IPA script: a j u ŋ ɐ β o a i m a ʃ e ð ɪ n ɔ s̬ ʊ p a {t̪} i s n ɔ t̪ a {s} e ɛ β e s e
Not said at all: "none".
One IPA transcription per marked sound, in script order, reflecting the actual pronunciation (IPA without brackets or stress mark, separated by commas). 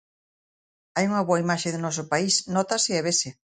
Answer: none, s